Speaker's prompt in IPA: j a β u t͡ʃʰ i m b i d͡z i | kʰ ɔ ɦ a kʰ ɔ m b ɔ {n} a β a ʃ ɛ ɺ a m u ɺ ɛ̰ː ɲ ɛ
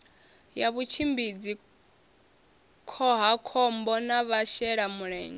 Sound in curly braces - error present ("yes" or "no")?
no